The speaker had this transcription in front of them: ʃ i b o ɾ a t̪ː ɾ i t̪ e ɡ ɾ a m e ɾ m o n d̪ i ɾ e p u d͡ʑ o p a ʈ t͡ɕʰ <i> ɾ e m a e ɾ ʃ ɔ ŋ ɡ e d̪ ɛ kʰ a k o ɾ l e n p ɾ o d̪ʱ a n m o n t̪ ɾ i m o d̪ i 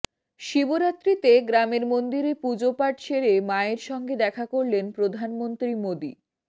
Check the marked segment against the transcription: incorrect: e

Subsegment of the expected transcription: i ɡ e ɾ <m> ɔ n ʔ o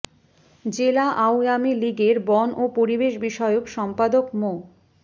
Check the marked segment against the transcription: incorrect: b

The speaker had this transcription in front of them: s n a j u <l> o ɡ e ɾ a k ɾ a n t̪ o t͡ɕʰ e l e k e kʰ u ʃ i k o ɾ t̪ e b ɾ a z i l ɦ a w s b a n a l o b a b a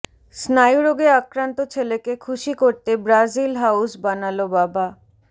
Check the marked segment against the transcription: incorrect: ɾ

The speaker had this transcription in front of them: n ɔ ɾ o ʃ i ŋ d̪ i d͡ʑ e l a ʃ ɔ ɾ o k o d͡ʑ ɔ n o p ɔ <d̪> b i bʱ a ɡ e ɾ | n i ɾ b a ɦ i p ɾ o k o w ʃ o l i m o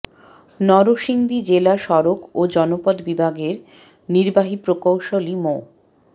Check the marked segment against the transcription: correct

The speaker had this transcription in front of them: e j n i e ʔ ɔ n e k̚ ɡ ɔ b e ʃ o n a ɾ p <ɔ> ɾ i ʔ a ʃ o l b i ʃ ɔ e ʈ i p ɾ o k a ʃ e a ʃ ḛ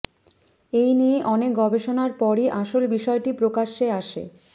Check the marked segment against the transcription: correct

